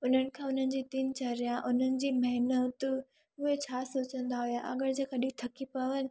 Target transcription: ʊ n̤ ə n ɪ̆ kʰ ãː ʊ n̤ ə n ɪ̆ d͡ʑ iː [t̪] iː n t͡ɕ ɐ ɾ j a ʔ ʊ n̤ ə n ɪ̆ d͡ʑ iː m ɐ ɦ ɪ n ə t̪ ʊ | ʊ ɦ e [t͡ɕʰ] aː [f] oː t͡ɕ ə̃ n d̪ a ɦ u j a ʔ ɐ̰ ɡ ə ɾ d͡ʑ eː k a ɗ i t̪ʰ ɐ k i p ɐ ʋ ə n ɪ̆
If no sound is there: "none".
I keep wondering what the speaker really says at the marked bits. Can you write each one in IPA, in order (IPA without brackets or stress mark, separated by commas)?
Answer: t̪, t͡ɕʰ, s